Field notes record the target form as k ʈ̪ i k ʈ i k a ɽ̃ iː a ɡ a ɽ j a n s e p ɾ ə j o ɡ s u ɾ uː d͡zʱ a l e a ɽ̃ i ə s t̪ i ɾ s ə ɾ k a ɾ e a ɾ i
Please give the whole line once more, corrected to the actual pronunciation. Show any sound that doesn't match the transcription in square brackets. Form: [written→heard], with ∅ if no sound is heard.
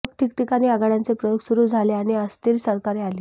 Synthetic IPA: k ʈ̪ i k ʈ i k a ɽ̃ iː a ɡ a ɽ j a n [s→t͡s] e p ɾ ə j o ɡ s u ɾ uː d͡zʱ a l e a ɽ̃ i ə s t̪ i ɾ s ə ɾ k a ɾ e a [ɾ→l] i